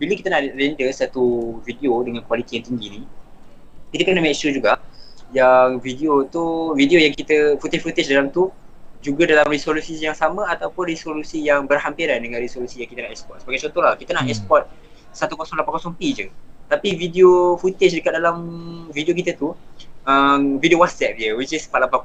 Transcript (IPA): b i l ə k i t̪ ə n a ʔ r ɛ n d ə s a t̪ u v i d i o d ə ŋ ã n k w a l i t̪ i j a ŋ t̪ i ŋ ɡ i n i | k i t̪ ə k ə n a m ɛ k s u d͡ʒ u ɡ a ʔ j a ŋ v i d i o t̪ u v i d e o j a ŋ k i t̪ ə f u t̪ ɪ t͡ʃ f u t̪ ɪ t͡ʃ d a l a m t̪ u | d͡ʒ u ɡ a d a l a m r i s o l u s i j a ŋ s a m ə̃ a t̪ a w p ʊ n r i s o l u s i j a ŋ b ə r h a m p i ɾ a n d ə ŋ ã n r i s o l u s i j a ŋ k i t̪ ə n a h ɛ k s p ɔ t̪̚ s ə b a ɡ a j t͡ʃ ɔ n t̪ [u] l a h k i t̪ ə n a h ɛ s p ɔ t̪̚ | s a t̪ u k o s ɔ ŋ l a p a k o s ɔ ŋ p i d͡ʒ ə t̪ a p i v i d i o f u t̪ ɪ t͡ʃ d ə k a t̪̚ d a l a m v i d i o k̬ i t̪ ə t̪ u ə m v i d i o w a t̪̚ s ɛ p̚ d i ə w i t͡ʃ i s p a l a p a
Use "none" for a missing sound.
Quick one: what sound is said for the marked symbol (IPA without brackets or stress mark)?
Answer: o